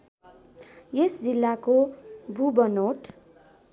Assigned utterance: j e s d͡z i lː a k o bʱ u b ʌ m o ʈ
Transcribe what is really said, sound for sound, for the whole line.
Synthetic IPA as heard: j e s d͡z i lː a k o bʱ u b ʌ n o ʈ

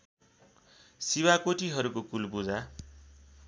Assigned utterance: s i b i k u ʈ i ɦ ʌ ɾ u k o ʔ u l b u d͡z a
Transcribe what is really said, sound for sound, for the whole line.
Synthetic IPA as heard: s i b a k o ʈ i ɦ ʌ ɾ u k o k u l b u d͡z a

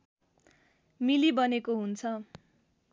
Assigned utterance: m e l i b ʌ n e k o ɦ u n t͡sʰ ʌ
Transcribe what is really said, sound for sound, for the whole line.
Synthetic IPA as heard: m i l i b ʌ n e k o ɦ u n t͡sʰ ʌ

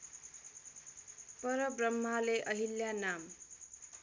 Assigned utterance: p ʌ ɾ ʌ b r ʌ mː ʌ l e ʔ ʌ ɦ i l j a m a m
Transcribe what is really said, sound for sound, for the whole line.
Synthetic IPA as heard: p ʌ ɾ ʌ b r ʌ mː a l e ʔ ʌ ɦ i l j a n a m

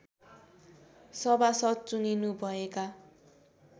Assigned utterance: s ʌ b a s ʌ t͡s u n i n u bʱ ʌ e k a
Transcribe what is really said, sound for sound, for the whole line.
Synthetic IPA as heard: s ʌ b a s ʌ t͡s u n i n u bʱ ʌ e k a

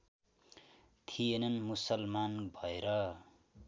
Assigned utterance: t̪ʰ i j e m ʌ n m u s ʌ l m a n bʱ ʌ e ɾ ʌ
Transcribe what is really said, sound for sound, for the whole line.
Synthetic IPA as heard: t̪ʰ i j e n ʌ n m u s ʌ l m a n bʱ ʌ e ɾ ʌ

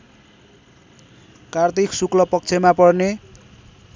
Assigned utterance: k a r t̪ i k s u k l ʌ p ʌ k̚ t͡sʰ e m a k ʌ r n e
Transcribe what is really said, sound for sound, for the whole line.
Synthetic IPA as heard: k a r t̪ i k s u k l ʌ p ʌ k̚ t͡sʰ e m a p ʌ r n e

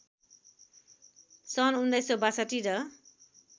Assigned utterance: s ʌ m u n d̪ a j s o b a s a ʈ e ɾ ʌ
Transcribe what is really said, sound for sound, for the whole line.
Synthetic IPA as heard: s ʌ n u n d̪ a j s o b a s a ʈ i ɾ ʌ

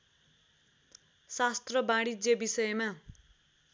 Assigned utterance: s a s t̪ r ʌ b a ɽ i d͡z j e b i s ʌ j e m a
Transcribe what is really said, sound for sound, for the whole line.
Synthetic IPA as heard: s a s t̪ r ʌ b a ɽ i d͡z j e b i s ʌ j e m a

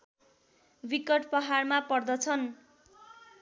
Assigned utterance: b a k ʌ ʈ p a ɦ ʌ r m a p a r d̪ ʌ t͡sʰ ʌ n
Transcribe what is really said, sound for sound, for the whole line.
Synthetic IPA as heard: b i k ʌ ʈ p ʌ ɦ a r m a p ʌ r d̪ ʌ t͡sʰ ʌ n

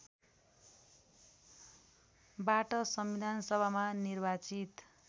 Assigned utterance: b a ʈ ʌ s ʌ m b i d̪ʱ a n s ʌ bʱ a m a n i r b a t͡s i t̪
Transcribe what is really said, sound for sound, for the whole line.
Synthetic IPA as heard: b a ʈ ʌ s ʌ m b i d̪ʱ a n s ʌ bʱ a m a n i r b a t͡s i t̪

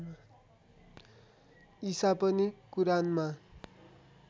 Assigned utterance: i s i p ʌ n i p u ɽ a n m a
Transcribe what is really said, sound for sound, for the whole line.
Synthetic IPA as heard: i s a p ʌ n i k u ɾ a n m a

